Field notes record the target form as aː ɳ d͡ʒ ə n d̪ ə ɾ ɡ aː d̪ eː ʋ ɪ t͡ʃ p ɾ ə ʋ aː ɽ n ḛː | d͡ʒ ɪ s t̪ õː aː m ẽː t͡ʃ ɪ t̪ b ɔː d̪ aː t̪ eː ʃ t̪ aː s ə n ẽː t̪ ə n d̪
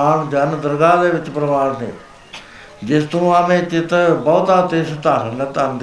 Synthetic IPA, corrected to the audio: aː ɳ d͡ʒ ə n d̪ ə ɾ ɡ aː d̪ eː ʋ ɪ t͡ʃ p ɾ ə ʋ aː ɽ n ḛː | d͡ʒ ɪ s t̪ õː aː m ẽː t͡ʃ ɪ t̪ b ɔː t̪ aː t̪ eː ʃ t̪ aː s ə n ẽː t̪ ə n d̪